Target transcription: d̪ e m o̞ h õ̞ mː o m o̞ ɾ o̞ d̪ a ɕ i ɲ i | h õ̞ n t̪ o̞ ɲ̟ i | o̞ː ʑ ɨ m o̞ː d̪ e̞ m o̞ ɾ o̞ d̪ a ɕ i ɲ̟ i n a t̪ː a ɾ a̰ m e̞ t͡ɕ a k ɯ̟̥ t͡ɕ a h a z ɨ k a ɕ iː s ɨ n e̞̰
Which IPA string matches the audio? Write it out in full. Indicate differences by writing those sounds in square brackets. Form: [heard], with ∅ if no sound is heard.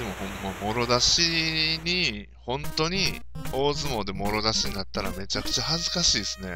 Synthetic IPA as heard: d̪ e m o̞ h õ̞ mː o m o̞ ɾ o̞ d̪ a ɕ i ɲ i | h õ̞ n t̪ o̞ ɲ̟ i | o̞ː [z] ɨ m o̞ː d̪ e̞ m o̞ ɾ o̞ d̪ a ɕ i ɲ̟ i n a t̪ː a ɾ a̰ m e̞ t͡ɕ a k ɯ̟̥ t͡ɕ a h a z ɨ k a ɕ iː s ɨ n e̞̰